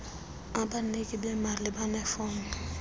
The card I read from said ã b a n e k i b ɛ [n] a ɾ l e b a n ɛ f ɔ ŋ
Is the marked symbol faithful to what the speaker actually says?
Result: no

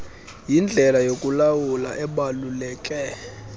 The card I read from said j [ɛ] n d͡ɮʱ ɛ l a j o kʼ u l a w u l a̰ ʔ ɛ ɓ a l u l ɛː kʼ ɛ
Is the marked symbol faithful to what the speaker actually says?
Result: no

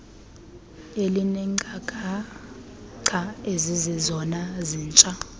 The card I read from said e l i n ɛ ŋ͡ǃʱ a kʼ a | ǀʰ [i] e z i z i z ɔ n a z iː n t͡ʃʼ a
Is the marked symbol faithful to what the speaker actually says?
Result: no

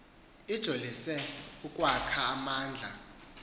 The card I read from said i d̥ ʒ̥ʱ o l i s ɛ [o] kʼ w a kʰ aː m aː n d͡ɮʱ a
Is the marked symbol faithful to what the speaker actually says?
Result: no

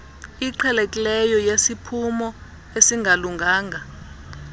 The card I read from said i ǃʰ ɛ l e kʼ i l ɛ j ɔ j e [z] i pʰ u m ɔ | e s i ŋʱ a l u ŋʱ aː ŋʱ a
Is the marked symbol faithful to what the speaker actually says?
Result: no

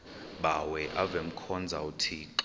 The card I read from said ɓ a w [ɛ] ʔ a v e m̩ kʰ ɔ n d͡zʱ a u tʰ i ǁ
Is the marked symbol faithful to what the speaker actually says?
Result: yes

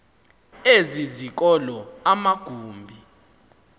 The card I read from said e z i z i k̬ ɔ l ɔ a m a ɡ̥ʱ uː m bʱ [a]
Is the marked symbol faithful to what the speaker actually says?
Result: no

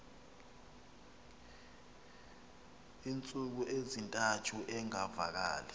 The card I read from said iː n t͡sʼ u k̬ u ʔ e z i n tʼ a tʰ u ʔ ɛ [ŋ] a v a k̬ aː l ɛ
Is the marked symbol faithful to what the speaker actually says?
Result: yes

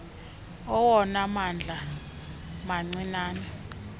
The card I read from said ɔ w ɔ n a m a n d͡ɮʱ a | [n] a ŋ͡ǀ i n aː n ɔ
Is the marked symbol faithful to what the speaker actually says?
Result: no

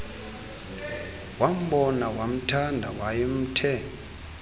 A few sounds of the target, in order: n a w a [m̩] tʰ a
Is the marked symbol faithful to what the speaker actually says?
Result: yes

